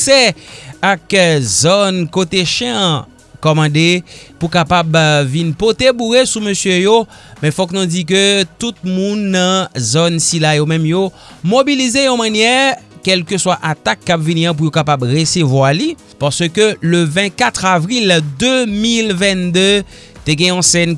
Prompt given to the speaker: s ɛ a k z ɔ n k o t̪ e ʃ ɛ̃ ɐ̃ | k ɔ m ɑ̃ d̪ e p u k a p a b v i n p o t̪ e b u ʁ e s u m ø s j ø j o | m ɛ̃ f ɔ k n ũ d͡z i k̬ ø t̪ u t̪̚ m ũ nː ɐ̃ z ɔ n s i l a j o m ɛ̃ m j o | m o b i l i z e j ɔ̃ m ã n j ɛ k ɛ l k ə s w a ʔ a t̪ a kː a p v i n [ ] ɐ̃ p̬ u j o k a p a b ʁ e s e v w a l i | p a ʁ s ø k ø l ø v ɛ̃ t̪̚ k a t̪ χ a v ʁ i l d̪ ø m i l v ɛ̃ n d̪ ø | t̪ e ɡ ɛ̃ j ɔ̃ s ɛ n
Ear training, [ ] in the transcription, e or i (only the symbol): i